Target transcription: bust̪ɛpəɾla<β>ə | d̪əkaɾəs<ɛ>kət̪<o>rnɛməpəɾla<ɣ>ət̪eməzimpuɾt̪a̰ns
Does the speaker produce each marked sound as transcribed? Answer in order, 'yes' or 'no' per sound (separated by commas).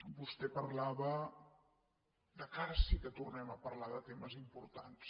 yes, no, no, no